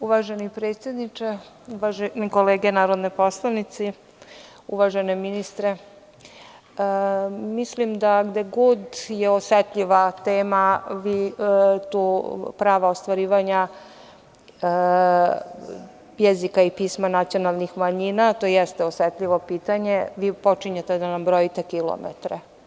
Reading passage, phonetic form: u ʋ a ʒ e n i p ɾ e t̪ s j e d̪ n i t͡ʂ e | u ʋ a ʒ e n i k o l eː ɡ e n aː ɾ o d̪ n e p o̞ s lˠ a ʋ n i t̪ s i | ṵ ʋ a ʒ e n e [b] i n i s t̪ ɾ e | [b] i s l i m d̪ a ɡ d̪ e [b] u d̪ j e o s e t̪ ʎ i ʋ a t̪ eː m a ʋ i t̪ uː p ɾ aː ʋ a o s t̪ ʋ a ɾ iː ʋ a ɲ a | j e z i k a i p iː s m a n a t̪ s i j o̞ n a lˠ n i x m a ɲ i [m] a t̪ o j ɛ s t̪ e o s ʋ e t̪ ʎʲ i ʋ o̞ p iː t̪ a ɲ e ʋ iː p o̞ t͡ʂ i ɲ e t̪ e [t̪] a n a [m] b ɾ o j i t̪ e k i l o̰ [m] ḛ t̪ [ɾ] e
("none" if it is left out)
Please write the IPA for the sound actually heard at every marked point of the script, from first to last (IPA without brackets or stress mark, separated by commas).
m, m, ɡ, n, d̪, m, m, ɾ